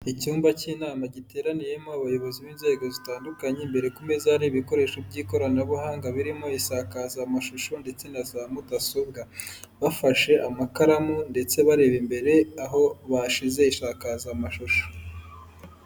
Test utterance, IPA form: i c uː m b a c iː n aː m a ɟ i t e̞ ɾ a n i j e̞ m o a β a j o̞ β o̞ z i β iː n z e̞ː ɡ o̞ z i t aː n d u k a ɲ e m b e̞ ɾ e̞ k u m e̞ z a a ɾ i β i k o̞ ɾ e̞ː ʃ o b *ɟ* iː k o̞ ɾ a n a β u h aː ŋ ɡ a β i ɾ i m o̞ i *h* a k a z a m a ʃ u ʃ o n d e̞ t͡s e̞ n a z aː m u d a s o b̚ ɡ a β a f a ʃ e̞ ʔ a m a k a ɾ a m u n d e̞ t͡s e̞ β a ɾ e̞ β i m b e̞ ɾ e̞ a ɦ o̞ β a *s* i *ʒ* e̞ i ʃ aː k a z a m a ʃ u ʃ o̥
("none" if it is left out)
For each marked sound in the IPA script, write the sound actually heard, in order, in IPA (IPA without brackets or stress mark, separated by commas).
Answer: ɟ, ʃ, ʃ, z